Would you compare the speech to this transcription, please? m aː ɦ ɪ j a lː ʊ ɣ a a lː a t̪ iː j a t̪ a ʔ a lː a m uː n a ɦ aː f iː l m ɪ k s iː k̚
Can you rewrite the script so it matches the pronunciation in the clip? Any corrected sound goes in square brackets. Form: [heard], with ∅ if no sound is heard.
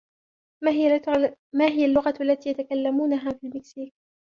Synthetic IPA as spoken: m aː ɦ ɪ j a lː ʊ ɣ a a lː a t̪ iː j a t̪ a [k] a lː a m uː n a ɦ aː f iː l m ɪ k s iː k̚